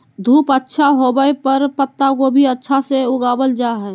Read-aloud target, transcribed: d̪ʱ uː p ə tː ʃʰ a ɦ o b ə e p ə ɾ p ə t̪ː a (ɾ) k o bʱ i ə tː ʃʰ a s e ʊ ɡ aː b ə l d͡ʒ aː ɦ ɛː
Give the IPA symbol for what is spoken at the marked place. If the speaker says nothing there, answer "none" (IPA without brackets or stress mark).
none